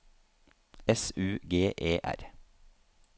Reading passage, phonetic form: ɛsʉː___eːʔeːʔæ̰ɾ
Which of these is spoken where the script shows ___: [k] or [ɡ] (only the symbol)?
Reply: ɡ